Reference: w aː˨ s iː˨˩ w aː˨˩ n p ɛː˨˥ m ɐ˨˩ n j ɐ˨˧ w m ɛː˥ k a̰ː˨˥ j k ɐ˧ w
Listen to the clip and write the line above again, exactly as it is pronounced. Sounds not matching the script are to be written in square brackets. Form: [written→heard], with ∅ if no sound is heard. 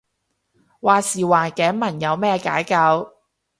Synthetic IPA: w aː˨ s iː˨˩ w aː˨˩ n [p→k] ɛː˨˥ m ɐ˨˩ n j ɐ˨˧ w m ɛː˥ k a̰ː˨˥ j k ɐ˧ w